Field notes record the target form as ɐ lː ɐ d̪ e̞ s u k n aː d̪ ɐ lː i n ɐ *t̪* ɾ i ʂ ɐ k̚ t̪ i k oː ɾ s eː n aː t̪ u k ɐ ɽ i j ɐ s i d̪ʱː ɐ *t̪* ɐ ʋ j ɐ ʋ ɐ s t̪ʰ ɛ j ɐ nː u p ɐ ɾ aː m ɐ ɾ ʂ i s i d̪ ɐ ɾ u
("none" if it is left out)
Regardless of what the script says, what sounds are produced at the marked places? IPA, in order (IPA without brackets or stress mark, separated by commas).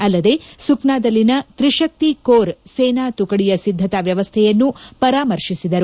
t̪, t̪